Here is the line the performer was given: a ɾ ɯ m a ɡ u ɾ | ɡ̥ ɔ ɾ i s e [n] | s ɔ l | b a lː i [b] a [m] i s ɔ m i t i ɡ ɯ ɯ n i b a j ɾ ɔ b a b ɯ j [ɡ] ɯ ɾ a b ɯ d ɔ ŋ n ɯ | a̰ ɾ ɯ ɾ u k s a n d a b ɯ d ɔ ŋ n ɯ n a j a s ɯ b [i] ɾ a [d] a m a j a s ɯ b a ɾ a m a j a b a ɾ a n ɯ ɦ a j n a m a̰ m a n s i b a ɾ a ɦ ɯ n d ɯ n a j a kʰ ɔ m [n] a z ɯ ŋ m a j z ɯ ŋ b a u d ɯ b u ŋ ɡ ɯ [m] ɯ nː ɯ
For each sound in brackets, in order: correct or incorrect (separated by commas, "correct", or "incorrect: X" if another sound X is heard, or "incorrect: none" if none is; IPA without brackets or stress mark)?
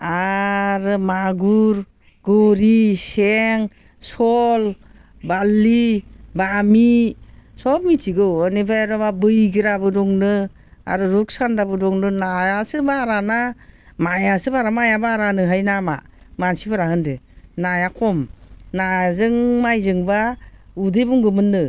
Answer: incorrect: ŋ, correct, correct, correct, incorrect: a, incorrect: n, correct, correct